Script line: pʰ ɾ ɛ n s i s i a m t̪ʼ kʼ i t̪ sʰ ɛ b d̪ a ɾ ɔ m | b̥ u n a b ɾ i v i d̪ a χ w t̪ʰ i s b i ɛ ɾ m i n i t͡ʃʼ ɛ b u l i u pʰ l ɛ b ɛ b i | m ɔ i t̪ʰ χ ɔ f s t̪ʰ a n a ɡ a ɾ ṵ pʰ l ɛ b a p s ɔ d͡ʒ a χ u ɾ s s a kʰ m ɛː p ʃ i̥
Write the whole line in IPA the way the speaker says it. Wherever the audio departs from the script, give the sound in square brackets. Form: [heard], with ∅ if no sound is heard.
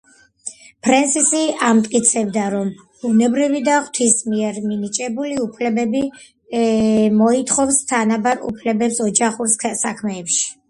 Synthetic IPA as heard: pʰ ɾ ɛ n s i s i a m t̪ʼ kʼ i t̪ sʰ ɛ b d̪ a ɾ ɔ m | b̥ u n [ɛ] b ɾ i v i d̪ a χ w t̪ʰ i s [m] i ɛ ɾ m i n i t͡ʃʼ ɛ b u l i u pʰ l ɛ b ɛ b i | m ɔ i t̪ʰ χ ɔ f s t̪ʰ a n a [b] a ɾ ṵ pʰ l ɛ b [ɛ] p s ɔ d͡ʒ a χ u ɾ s s a kʰ m ɛː p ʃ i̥